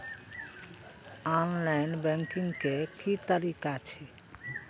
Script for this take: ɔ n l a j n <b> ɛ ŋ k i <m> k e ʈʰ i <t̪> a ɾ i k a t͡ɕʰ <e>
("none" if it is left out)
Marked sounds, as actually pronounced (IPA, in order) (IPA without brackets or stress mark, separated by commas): b, ŋ, t̪, e